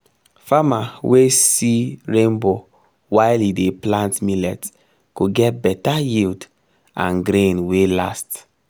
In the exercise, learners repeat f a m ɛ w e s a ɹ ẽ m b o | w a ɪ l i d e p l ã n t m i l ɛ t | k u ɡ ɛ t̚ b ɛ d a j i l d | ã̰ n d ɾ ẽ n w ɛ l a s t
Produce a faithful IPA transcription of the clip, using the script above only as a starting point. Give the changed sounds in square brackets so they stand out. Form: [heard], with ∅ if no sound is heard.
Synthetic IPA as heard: f a m [a] w e s [i] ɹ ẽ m b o | w a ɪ l i d e p l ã n t m i l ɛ t | k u ɡ ɛ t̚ b ɛ [t] a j i l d | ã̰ n [ɡ] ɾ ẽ n w [e] l a s t